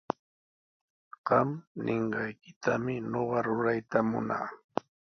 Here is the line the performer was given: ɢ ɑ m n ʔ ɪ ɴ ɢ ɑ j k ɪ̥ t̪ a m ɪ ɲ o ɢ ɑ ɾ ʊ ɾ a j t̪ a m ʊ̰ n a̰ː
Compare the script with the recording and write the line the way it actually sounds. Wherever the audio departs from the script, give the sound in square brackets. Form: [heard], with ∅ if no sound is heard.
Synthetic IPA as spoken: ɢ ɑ m n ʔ ɪ ɴ ɢ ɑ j k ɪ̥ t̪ a m ɪ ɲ o ɢ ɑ ɾ ʊ ɾ a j t̪ a m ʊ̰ n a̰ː